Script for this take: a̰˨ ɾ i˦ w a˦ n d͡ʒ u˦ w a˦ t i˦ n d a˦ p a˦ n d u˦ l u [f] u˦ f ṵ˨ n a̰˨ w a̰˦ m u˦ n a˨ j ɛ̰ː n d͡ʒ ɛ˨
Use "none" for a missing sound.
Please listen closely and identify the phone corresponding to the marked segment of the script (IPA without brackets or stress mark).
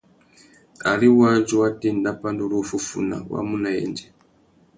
f